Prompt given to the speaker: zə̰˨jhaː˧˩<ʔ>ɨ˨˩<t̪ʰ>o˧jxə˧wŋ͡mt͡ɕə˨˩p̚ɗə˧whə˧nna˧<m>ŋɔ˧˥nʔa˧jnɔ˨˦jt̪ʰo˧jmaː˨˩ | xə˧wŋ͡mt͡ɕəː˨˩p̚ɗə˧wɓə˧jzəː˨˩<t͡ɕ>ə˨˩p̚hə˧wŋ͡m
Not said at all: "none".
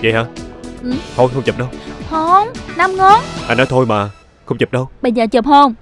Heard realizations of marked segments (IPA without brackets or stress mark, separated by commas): ʔ, t̪ʰ, m, t͡ɕ